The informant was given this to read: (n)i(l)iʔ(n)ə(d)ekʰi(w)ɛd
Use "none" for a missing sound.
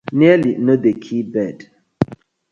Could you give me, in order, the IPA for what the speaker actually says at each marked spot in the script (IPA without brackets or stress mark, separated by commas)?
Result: n, l, n, d, b